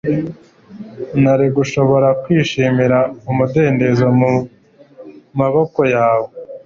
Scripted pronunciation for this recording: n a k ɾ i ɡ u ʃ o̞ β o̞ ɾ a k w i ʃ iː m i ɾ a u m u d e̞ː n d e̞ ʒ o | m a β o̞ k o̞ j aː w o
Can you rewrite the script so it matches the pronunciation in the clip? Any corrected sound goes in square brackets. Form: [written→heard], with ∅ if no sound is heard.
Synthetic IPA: n a [k→∅] ɾ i ɡ u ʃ o̞ β o̞ ɾ a k w [i→iː] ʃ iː m i ɾ a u m u d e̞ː n d e̞ [ʒ→z] o | m a β o̞ k o̞ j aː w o